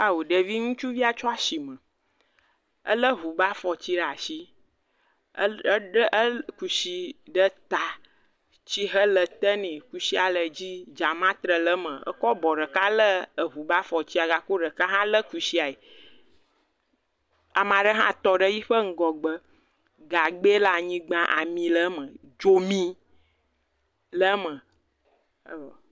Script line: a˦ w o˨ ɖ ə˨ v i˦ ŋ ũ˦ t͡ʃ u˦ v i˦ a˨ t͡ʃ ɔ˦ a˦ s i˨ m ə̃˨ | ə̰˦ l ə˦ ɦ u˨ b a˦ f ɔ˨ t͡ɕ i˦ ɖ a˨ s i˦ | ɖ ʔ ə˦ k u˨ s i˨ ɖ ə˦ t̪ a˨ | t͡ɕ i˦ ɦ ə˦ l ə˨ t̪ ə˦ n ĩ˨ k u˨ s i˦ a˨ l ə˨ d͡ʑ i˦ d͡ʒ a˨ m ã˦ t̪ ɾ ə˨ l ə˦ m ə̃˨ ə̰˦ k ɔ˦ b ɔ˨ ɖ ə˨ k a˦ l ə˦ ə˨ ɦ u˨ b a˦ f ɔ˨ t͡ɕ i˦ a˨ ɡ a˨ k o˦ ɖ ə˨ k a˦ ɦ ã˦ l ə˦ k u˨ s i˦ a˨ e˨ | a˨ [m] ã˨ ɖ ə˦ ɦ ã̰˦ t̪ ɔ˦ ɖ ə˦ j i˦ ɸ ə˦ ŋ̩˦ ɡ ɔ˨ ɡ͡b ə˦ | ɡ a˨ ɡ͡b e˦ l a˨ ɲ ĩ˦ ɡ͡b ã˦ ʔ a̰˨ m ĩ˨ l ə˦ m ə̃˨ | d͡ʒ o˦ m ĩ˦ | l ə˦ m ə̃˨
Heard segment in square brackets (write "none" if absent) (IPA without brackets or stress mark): m